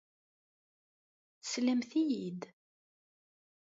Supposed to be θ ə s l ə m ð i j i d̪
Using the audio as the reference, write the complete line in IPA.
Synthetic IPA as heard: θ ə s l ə m θ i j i d̪